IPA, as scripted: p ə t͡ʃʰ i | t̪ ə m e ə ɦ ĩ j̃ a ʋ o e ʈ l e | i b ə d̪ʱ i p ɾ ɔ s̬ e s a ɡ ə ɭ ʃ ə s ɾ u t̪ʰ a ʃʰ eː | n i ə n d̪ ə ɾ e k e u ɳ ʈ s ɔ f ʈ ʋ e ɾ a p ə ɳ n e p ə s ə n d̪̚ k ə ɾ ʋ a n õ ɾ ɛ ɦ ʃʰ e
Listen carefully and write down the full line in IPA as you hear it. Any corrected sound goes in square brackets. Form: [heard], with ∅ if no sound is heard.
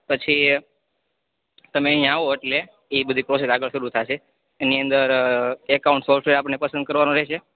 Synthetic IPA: p ə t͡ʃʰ i | t̪ ə m e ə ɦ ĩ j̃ a ʋ o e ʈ l e | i b ə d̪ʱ i p ɾ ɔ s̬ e s a ɡ ə ɭ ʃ ə [∅] ɾ u t̪ʰ a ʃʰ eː | n i ə n d̪ ə ɾ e k [a] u ɳ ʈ s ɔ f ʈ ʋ e ɾ a p ə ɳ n e p ə s ə n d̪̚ k ə ɾ ʋ a n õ ɾ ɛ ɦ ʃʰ e